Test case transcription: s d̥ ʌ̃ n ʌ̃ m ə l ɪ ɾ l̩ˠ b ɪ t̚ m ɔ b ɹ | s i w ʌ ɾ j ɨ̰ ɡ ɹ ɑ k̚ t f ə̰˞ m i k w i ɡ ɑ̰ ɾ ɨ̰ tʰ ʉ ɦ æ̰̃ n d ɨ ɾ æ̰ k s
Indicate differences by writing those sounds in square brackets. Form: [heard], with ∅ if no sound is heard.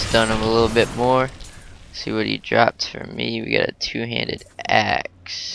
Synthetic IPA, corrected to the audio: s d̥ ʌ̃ n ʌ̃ m ə l ɪ ɾ l̩ˠ b ɪ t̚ m ɔ [∅] ɹ | s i w ʌ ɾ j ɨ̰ [d] ɹ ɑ [p̚] t f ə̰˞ m i [∅] w i ɡ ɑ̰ ɾ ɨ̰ tʰ ʉ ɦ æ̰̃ n d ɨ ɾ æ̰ k s

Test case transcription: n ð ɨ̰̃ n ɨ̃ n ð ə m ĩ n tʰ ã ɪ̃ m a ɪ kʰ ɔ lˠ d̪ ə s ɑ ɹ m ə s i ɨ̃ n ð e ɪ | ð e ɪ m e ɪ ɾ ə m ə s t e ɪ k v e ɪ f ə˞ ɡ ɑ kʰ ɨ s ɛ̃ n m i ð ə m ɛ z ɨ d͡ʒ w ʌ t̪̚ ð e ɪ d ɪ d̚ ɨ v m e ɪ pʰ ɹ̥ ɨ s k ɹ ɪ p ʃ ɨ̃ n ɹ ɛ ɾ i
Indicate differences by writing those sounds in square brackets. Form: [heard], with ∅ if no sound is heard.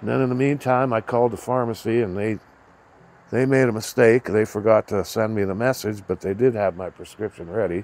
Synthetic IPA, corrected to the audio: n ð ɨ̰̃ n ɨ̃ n ð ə m ĩ n tʰ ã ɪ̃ m a ɪ kʰ ɔ lˠ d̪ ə [f] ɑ ɹ m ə s i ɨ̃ n ð e ɪ | ð e ɪ m e ɪ ɾ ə m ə s t e ɪ k [ð] e ɪ f ə˞ ɡ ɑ [tʰ] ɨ s ɛ̃ n m i ð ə m ɛ [s] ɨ d͡ʒ [b] ʌ t̪̚ ð e ɪ d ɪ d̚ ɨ v m [a] ɪ pʰ ɹ̥ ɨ s k ɹ ɪ p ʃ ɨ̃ n ɹ ɛ ɾ i

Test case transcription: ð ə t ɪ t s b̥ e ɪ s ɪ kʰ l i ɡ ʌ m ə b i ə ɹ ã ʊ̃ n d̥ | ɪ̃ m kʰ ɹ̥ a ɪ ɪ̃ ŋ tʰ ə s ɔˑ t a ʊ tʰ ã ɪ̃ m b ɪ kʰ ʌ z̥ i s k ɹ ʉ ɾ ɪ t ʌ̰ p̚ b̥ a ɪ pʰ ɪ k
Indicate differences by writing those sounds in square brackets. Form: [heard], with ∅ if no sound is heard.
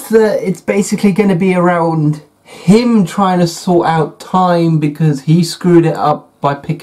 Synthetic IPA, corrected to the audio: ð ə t ɪ t s b̥ e ɪ s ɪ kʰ l i ɡ ʌ [n] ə b i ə ɹ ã ʊ̃ n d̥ | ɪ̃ m [tʰ] ɹ̥ a ɪ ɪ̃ ŋ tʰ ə s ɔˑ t a ʊ tʰ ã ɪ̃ m b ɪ kʰ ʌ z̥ i s k ɹ ʉ ɾ ɪ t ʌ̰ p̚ b̥ a ɪ pʰ ɪ k

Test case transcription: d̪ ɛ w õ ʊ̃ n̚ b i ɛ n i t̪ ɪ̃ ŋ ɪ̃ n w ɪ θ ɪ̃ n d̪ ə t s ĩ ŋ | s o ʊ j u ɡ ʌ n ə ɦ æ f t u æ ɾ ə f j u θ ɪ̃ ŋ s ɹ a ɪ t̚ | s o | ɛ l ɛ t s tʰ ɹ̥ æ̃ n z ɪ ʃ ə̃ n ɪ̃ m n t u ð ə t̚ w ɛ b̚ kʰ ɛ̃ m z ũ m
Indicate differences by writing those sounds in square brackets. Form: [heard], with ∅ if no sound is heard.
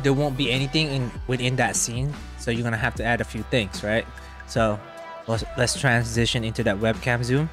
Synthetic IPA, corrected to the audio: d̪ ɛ w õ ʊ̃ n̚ b i ɛ n i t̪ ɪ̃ ŋ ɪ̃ n w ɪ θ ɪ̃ n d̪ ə t s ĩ [n] | s o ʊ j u ɡ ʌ n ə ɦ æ f t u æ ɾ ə f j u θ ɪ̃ ŋ s ɹ a ɪ t̚ | s o | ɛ l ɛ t s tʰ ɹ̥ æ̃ n z ɪ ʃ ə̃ n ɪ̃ [∅] n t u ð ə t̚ w ɛ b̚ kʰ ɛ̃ m z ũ m

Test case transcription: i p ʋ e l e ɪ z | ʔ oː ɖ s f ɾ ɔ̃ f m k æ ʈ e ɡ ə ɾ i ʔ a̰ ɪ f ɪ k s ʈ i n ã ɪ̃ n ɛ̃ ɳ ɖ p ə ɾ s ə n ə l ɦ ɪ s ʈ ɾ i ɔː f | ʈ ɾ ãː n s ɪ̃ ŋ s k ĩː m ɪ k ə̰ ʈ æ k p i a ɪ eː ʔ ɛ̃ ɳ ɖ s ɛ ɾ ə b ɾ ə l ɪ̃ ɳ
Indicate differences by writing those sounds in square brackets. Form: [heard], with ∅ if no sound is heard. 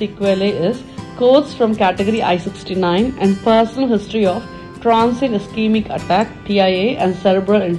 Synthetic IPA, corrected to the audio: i [k] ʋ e l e ɪ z | [k] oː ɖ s f ɾ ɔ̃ [∅] m k æ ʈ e ɡ ə ɾ i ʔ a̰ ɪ [s] ɪ k s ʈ i n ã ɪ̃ n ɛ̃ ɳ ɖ p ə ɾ s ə n ə l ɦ ɪ s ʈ ɾ i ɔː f | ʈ ɾ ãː n s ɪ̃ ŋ s k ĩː m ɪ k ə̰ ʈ æ k p i a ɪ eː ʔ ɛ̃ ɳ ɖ s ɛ ɾ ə b ɾ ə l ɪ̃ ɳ

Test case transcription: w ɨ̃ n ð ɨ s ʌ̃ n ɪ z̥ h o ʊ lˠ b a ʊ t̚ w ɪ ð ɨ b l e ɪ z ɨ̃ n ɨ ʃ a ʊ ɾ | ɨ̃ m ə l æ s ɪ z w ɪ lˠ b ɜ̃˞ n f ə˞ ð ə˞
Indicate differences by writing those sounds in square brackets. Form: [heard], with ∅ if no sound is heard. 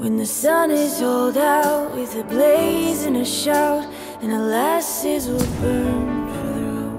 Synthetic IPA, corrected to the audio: w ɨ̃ n ð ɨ s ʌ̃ n ɪ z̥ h o ʊ lˠ [d] a ʊ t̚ w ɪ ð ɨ b l e ɪ z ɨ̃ n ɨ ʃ a ʊ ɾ | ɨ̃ [n] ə l æ s ɪ z w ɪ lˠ b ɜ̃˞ n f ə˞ ð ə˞

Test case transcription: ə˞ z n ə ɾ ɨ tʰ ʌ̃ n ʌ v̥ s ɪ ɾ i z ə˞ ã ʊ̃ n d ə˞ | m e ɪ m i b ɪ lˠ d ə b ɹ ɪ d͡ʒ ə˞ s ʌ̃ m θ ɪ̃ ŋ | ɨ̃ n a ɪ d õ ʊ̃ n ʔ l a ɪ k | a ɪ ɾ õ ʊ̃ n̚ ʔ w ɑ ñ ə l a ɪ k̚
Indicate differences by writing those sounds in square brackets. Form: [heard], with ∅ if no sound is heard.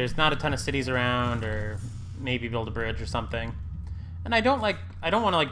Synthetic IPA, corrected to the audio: ə˞ z n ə ɾ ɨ tʰ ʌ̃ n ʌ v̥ s ɪ ɾ i z ə˞ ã ʊ̃ n d ə˞ | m e ɪ [b] i b ɪ lˠ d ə b ɹ ɪ d͡ʒ ə˞ s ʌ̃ m θ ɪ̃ ŋ | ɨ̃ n a ɪ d õ ʊ̃ n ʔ l a ɪ k | a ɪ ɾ õ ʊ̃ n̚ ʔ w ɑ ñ ə l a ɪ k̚

